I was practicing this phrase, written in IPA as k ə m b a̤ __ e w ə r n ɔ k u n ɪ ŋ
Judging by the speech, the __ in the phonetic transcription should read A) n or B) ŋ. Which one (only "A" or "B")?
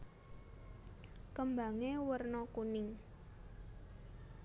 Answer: B